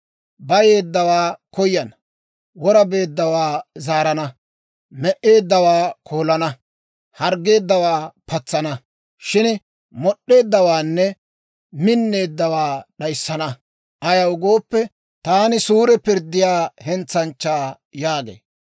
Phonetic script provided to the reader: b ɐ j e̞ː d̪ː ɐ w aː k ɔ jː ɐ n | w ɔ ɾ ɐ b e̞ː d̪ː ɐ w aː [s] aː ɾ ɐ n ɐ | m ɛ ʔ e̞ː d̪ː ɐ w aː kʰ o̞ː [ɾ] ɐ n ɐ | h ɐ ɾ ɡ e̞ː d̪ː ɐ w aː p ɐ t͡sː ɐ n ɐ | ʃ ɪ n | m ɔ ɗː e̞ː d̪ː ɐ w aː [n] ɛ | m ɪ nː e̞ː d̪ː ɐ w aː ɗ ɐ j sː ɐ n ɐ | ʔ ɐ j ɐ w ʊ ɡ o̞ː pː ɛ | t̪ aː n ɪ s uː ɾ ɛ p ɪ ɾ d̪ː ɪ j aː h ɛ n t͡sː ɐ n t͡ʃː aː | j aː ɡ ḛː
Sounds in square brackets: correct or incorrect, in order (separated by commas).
incorrect, incorrect, incorrect